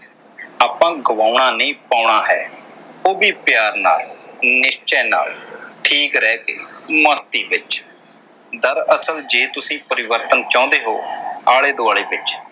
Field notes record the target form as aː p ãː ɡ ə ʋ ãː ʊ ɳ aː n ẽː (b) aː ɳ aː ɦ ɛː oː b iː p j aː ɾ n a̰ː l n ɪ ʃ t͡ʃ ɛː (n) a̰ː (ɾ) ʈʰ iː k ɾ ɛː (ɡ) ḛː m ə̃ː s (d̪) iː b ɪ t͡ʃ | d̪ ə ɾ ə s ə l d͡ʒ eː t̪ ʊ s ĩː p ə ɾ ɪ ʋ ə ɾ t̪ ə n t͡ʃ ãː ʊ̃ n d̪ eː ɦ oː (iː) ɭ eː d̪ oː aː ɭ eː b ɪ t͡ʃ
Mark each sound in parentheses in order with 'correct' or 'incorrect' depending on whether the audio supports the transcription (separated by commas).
incorrect, correct, incorrect, incorrect, incorrect, incorrect